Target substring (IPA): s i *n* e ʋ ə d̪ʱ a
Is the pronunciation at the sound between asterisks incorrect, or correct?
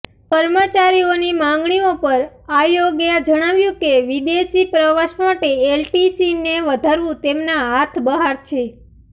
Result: correct